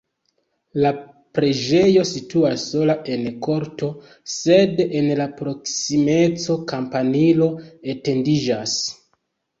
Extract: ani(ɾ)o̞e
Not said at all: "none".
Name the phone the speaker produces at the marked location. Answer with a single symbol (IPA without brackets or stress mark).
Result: l